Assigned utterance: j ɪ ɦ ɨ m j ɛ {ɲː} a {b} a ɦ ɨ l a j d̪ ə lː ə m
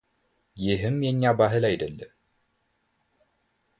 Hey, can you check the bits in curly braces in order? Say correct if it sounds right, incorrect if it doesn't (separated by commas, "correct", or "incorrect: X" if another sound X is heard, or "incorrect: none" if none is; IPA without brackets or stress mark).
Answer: correct, correct